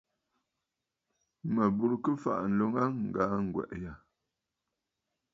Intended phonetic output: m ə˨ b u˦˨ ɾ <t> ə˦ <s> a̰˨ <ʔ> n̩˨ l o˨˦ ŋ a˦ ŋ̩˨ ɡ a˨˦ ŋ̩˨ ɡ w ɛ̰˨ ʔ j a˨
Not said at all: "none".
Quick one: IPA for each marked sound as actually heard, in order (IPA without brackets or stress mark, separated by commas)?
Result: k, f, ʔ